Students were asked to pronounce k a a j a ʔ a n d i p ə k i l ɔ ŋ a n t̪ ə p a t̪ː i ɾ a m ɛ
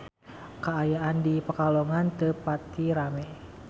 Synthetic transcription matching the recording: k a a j a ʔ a n d i p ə k a l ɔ ŋ a n t̪ ə p a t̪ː i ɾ a m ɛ